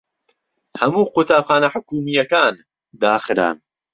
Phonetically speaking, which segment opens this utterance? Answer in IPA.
h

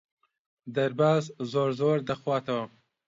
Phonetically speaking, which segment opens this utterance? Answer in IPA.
d̪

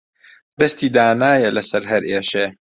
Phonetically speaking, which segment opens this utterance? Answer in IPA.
d̪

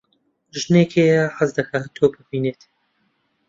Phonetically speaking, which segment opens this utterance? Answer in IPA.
ʒ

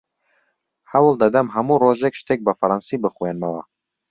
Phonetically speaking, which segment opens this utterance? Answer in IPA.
h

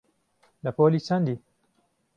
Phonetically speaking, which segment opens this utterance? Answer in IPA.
l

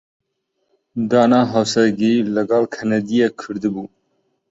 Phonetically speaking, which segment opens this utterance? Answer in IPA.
d̪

